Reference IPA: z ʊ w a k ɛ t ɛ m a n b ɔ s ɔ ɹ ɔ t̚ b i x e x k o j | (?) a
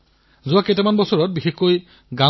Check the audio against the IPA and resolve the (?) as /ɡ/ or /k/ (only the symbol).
ɡ